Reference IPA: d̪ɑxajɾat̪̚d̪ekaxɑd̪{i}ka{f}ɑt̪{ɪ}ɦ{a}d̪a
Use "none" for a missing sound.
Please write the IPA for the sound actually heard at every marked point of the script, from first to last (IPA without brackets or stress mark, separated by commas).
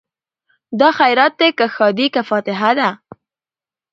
i, f, ɪ, a